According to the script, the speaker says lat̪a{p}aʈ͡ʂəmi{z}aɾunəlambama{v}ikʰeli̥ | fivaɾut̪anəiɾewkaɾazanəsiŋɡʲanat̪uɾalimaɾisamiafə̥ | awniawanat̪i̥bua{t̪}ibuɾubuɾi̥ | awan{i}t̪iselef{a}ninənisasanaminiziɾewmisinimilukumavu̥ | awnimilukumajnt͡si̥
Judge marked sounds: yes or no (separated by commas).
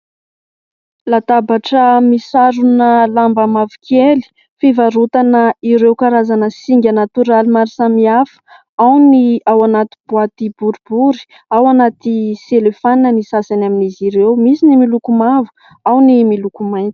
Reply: no, no, yes, yes, no, yes